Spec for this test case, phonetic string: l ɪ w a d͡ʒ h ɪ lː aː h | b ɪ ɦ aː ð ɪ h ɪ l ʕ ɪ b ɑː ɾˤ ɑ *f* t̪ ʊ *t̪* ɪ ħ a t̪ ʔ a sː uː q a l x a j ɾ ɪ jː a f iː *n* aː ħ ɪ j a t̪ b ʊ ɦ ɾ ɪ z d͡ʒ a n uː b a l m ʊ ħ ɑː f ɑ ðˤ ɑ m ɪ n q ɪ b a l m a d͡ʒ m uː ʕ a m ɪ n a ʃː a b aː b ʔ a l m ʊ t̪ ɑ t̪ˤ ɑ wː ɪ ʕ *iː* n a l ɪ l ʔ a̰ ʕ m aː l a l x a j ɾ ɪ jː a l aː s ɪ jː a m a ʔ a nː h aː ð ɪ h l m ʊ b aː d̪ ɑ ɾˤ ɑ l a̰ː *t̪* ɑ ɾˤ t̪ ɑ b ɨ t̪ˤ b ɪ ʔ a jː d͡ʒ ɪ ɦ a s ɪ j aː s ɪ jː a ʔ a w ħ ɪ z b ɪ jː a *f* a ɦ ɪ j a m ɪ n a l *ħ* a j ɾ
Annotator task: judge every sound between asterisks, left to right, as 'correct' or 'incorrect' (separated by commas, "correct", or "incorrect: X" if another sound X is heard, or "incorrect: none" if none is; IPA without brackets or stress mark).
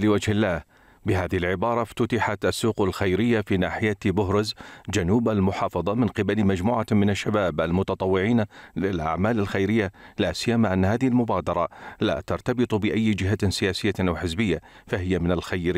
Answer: correct, correct, correct, correct, correct, correct, incorrect: x